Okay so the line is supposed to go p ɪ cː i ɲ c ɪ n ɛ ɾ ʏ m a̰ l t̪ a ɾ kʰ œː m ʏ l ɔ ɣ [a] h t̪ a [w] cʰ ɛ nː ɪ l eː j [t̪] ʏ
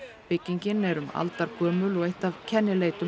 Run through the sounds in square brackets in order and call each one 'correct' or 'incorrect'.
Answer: incorrect: e, incorrect: v, correct

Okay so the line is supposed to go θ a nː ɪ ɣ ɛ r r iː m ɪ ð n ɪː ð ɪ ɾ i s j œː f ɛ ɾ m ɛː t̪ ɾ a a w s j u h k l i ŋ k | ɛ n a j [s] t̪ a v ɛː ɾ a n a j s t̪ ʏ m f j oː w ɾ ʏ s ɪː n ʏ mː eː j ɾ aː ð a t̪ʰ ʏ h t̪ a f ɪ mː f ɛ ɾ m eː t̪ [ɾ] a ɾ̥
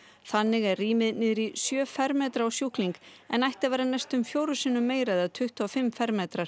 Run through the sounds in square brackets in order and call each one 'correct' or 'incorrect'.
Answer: incorrect: h, correct

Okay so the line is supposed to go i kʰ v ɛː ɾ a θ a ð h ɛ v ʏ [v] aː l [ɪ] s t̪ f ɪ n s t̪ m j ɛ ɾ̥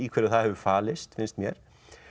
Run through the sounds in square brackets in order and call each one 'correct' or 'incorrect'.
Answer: incorrect: f, correct

